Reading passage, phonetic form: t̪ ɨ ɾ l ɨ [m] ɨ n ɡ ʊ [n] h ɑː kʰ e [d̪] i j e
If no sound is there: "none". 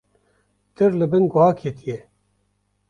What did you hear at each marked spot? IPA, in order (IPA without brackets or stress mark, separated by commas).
b, none, t̪